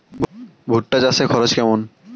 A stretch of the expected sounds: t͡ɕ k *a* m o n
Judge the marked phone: incorrect: ɛ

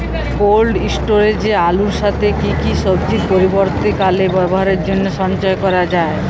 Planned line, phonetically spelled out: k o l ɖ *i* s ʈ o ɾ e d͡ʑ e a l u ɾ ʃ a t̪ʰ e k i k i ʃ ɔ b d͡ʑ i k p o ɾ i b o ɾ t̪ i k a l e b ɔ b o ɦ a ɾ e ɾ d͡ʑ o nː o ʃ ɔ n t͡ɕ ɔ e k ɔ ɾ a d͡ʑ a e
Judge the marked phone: correct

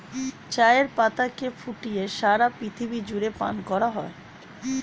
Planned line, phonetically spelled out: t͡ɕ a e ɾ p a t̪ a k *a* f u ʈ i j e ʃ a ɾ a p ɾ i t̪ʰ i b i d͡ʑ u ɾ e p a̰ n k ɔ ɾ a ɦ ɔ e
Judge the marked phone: incorrect: e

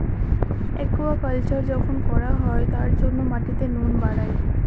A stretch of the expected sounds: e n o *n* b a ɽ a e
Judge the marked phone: correct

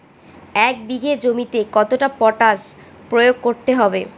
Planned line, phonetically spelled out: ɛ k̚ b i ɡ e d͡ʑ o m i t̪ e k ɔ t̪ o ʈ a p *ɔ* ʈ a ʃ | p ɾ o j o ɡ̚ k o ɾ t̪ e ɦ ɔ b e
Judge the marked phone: correct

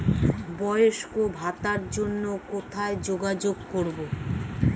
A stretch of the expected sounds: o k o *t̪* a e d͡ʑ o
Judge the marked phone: incorrect: t̪ʰ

